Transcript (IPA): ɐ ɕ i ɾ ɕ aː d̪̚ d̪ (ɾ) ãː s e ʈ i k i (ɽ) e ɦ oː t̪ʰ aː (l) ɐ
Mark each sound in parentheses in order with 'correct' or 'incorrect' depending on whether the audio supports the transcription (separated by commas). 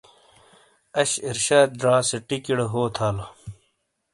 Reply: correct, correct, correct